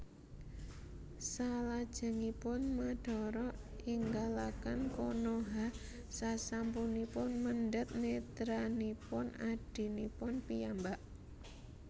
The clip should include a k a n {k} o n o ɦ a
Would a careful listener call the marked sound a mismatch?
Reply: no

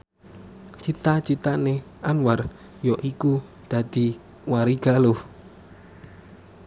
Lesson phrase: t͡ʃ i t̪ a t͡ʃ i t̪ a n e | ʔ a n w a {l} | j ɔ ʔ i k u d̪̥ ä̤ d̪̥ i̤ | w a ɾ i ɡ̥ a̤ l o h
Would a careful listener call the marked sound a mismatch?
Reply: yes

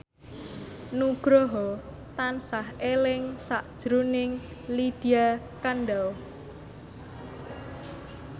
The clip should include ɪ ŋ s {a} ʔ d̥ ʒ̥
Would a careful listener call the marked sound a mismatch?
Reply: no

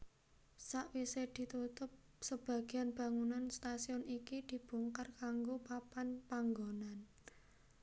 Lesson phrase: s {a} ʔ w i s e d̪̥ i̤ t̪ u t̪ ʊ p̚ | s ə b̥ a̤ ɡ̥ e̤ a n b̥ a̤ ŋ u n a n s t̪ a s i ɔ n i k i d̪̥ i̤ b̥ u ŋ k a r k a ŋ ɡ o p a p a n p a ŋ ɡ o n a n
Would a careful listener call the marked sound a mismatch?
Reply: no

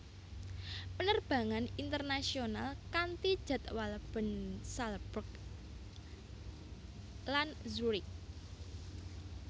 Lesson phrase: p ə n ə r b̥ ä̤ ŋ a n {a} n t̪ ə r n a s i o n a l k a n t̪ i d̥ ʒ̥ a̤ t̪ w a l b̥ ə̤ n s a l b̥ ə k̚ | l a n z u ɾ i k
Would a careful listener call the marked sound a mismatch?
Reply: yes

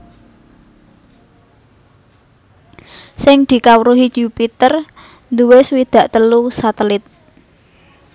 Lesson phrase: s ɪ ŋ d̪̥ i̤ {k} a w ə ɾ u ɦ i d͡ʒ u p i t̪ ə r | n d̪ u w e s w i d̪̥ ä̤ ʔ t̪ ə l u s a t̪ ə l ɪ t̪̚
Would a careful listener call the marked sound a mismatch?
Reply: no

